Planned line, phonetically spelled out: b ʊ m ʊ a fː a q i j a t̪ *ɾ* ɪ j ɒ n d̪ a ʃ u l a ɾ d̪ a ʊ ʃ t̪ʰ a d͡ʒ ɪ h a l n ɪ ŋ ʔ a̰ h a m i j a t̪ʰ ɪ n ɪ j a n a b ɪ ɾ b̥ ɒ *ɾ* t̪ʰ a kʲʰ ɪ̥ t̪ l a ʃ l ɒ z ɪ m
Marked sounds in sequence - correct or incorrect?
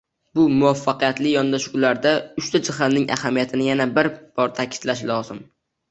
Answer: incorrect, correct

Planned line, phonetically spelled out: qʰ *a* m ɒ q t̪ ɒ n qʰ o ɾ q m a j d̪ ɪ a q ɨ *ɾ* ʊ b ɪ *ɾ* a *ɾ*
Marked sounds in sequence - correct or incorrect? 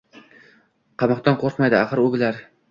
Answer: incorrect, correct, incorrect, correct

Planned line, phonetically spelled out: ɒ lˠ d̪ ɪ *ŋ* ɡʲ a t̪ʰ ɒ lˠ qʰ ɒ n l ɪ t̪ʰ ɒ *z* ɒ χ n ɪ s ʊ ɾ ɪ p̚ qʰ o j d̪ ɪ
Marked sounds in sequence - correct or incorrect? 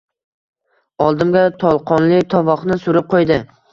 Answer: incorrect, incorrect

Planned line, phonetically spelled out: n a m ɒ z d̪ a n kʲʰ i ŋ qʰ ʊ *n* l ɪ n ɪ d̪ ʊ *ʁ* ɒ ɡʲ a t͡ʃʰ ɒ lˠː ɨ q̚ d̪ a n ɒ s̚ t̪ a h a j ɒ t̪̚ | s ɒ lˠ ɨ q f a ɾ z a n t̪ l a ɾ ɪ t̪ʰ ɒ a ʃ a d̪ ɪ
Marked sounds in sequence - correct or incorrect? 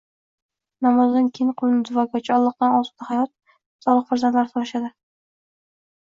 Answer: incorrect, incorrect

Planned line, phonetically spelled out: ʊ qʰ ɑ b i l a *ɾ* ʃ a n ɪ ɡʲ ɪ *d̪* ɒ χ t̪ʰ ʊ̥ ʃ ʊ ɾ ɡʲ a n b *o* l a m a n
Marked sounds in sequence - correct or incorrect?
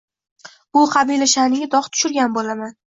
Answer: incorrect, correct, correct

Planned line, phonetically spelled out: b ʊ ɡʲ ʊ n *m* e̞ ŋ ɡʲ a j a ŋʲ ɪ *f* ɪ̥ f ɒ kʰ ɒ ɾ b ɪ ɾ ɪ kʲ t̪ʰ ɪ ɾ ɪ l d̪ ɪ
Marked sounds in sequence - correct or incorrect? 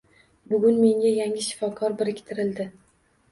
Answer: correct, incorrect

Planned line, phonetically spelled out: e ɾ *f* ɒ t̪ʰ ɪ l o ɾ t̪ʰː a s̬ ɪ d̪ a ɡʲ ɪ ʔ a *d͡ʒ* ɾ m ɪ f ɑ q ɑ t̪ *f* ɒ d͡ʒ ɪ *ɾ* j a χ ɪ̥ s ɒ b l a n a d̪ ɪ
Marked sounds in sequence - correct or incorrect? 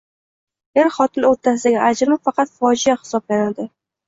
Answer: incorrect, correct, correct, incorrect

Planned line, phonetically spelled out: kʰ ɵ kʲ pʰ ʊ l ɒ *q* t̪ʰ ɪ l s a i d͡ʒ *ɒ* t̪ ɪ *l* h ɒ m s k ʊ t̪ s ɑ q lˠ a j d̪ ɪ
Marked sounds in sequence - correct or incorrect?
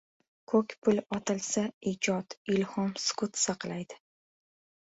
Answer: incorrect, correct, correct

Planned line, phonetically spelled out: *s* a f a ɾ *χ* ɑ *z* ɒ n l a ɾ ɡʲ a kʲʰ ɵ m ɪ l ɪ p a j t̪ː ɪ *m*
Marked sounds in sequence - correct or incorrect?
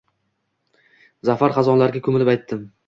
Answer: incorrect, correct, correct, correct

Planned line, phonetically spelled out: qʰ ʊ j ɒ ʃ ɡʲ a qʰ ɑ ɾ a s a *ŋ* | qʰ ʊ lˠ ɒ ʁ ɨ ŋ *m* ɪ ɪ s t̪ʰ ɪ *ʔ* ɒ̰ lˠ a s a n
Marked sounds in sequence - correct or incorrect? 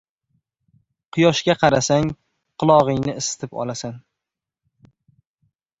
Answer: correct, incorrect, incorrect

